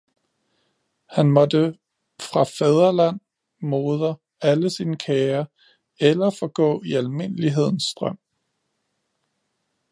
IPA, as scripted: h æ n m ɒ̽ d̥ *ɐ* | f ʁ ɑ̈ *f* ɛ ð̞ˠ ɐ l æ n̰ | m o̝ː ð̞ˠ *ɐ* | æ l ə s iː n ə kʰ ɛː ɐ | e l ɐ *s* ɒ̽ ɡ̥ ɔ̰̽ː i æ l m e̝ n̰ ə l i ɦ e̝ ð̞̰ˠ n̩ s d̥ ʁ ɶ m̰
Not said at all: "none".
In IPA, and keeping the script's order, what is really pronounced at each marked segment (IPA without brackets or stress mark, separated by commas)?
ə, f, ɐ, f